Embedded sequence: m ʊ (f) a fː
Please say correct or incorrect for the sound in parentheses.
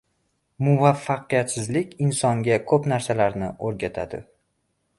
incorrect: v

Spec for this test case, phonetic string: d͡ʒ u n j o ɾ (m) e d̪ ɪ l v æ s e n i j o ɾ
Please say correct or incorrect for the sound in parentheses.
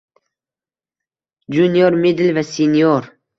correct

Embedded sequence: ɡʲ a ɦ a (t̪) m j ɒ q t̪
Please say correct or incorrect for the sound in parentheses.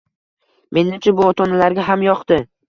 incorrect: none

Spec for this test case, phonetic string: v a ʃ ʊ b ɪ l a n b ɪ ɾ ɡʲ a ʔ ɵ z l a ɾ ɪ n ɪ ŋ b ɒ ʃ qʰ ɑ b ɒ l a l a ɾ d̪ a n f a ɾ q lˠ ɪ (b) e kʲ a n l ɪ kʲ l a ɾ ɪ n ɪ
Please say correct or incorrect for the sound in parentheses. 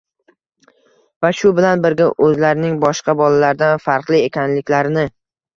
incorrect: none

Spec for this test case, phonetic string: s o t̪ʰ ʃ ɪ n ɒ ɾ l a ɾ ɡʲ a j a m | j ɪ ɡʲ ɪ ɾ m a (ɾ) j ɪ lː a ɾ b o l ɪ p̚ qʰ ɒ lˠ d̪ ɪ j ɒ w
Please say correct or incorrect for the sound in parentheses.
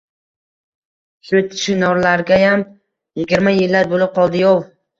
incorrect: none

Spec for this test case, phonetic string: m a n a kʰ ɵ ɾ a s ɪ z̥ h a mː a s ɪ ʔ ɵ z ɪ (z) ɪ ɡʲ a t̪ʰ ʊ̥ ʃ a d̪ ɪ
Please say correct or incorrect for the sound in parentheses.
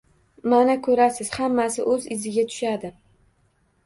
correct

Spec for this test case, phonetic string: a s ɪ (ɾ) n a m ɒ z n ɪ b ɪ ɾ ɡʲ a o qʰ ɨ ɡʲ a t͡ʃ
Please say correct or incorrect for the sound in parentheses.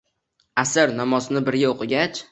correct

